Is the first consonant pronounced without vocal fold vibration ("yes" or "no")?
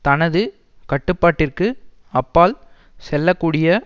yes